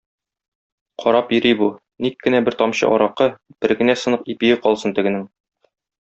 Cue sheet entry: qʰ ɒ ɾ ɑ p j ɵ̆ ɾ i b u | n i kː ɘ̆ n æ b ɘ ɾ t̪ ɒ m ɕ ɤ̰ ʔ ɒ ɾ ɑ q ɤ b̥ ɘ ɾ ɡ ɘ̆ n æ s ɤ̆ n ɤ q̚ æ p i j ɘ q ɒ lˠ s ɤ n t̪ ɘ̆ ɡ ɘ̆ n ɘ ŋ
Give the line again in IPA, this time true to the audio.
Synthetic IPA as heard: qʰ ɒ ɾ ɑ p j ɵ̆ ɾ i b u | n i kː ɘ̆ n æ b ɘ ɾ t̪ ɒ m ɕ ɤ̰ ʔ ɒ ɾ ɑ q ɤ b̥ ɘ ɾ ɡ ɘ̆ n æ s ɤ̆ n ɤ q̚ i p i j ɘ q ɒ lˠ s ɤ n t̪ ɘ̆ ɡ ɘ̆ n ɘ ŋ